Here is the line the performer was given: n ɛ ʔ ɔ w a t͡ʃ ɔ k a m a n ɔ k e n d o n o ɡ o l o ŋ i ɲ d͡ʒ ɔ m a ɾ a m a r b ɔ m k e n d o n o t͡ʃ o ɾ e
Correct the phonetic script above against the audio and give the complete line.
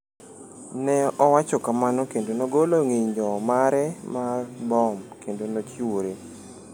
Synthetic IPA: n ɛ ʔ ɔ w a t͡ʃ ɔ k a m a n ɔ k e n d o n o ɡ o l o ŋ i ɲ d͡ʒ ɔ m a ɾ ɛ m a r b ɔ m k e n d o n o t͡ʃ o ɾ e